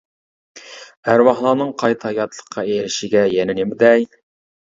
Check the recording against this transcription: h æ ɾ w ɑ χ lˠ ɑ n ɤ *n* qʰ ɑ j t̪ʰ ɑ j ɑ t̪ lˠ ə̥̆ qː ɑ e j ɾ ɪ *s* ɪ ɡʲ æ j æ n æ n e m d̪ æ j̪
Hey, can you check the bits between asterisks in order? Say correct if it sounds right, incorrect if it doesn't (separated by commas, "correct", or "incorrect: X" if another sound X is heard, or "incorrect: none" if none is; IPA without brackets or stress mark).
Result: incorrect: ɴ, incorrect: ʃ